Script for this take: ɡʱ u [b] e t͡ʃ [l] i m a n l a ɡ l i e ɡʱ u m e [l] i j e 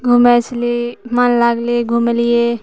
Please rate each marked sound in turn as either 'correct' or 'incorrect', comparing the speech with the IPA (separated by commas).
incorrect, correct, correct